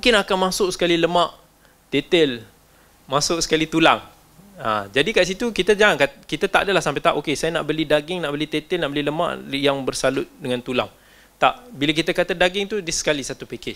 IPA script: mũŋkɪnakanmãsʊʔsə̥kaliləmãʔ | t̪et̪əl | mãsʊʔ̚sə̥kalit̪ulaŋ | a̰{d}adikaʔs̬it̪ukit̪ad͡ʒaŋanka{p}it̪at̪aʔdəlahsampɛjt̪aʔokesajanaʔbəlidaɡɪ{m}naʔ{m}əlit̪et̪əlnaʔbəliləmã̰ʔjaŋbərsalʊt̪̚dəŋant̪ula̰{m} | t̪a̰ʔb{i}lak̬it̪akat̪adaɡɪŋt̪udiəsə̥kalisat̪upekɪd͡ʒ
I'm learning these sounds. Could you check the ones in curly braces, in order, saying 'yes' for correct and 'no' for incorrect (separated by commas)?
no, no, no, no, no, yes